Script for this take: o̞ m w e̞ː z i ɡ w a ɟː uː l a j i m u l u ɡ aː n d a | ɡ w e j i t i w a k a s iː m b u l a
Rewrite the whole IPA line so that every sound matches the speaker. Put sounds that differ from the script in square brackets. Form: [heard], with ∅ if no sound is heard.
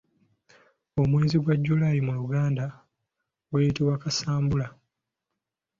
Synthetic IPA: o̞ m w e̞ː z i ɡ w a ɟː [u] l a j i m u l u ɡ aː n d a | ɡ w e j i t i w a k a s [aː] m b u l a